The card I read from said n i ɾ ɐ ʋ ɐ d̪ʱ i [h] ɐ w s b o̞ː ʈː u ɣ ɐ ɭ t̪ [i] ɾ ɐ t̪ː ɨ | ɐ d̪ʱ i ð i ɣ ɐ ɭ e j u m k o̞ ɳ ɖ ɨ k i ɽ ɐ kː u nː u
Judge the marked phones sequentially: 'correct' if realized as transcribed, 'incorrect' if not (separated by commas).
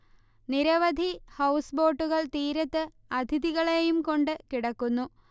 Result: correct, incorrect